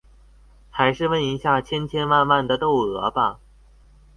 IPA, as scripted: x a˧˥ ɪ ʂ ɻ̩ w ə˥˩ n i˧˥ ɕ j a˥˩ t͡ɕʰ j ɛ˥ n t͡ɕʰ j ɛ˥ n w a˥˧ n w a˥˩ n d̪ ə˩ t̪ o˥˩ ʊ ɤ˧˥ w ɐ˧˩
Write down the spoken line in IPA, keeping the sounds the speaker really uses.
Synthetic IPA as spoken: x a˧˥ ɪ ʂ ɻ̩ w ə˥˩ n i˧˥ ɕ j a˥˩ t͡ɕʰ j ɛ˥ n t͡ɕʰ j ɛ˥ n w a˥˧ n w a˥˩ n d̪ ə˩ t̪ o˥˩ ʊ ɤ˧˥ b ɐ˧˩